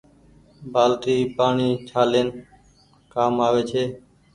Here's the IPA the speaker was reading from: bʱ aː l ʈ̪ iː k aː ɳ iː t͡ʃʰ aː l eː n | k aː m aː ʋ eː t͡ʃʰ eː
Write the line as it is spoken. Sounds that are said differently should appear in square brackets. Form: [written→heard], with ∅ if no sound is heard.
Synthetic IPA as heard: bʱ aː l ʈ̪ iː [k→p] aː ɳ iː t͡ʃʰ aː l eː n | k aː m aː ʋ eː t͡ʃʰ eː